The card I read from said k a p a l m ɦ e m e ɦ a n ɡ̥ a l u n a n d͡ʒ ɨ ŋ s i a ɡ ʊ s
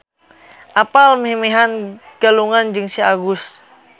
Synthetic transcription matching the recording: ʔ a p a l m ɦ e m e ɦ a n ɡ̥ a l u ŋ a n d͡ʒ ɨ ŋ s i a ɡ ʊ s

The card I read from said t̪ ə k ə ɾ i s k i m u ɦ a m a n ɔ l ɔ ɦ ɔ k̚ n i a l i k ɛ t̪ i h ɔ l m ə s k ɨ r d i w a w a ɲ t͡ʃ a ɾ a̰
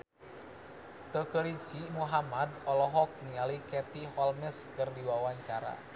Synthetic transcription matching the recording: t̪ ə k ə ɾ i s k i m u ɦ a m a d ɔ l ɔ ɦ ɔ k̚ n i a l i k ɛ t̪ i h ɔ l m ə s k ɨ r d i w a w a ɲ t͡ʃ a ɾ a̰

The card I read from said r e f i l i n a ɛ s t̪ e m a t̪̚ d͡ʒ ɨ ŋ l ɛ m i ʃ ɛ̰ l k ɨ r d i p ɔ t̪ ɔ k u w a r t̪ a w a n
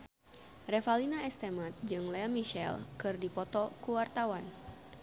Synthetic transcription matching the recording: r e f a l i n a ɛ s t̪ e m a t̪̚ d͡ʒ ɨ ŋ l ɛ m i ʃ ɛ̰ l k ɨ r d i p ɔ t̪ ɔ k u w a r t̪ a w a n

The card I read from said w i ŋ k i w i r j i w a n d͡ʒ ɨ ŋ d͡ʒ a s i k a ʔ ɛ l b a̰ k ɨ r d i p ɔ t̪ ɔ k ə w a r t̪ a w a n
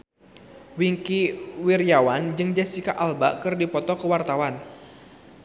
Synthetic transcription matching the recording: w i ŋ k i w i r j a w a n d͡ʒ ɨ ŋ d͡ʒ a s i k a ʔ a l b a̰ k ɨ r d i p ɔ t̪ ɔ k ə w a r t̪ a w a n

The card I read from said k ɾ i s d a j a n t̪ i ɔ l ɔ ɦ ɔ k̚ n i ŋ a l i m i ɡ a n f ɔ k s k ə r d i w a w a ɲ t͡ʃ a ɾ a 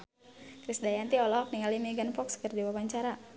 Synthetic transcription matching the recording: k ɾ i s d a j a n t̪ i ɔ l ɔ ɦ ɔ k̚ n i ŋ a l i m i ɡ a n f ɔ k s k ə r d i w a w a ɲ t͡ʃ a ɾ a

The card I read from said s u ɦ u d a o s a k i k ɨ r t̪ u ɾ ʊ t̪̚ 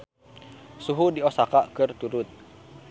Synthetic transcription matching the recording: s u ɦ u d i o s a k a k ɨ r t̪ u ɾ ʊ t̪̚

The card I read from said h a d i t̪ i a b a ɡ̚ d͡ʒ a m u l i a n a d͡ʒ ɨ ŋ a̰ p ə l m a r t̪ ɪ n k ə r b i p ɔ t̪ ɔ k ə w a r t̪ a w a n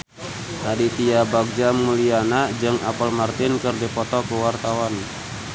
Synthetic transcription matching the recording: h a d i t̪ i a b a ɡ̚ d͡ʒ a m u l i a n a d͡ʒ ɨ ŋ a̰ p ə l m a r t̪ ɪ n k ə r d i p ɔ t̪ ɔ k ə w a r t̪ a w a n

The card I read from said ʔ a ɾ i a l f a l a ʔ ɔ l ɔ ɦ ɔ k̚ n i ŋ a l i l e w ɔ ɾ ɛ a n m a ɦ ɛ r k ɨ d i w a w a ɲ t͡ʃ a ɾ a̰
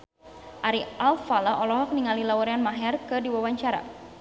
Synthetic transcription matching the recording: ʔ a ɾ i a l f a l a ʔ ɔ l ɔ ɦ ɔ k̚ n i ŋ a l i l a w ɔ ɾ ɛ a n m a ɦ ɛ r k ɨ d i w a w a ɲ t͡ʃ a ɾ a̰

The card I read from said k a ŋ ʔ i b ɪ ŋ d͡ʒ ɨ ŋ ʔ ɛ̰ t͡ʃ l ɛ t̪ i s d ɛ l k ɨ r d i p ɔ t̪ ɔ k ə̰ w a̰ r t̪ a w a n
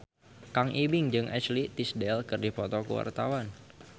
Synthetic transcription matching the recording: k a ŋ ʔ i b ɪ ŋ d͡ʒ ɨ ŋ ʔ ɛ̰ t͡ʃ l i t̪ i s d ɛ l k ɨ r d i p ɔ t̪ ɔ k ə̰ w a̰ r t̪ a w a n

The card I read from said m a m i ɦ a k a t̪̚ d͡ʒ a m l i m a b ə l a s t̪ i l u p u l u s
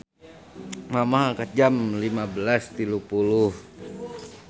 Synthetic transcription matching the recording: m a m a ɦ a k a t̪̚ d͡ʒ a m l i m a b ə l a s t̪ i l u p u l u h

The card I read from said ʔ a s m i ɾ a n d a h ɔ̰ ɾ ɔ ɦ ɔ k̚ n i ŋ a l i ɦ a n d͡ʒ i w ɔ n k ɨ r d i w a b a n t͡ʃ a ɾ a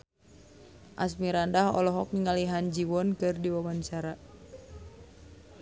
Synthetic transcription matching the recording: ʔ a s m i ɾ a n d a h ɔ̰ l ɔ ɦ ɔ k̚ n i ŋ a l i ɦ a n d͡ʒ i w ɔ n k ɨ r d i w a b a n t͡ʃ a ɾ a

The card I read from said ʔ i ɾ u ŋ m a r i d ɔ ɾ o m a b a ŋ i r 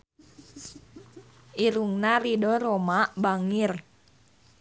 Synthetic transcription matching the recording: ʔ i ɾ u ŋ n a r i d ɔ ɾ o m a b a ŋ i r

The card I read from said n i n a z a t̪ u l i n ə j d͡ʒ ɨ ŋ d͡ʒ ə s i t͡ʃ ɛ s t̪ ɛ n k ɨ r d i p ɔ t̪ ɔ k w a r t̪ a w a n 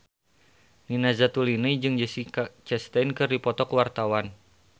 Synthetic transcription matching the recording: n i n a z a t̪ u l i n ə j d͡ʒ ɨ ŋ d͡ʒ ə s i t͡ʃ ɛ s t̪ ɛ n k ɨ r d i p ɔ t̪ ɔ k w a r t̪ a w a n

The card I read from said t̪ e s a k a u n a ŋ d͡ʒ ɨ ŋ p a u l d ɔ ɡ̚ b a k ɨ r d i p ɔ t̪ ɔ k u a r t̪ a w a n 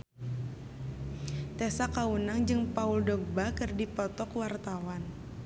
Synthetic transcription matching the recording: t̪ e s a k a u n a ŋ d͡ʒ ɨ ŋ p a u l d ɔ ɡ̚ b a k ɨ r d i p ɔ t̪ ɔ k w a r t̪ a w a n

